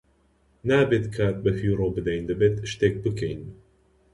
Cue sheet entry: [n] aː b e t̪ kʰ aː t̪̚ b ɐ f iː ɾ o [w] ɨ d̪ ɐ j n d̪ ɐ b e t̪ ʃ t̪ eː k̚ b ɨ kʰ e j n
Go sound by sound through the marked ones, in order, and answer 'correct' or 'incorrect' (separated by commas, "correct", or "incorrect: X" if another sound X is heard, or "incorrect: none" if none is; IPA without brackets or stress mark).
correct, incorrect: b